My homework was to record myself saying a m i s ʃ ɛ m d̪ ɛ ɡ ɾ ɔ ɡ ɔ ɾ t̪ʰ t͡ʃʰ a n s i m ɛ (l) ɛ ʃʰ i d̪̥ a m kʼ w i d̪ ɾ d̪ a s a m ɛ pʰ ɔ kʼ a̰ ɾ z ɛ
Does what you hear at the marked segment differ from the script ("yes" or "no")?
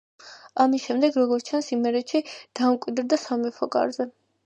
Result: yes